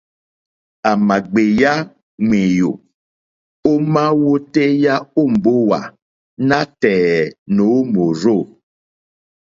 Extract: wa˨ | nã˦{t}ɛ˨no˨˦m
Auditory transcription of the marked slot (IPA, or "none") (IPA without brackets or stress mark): t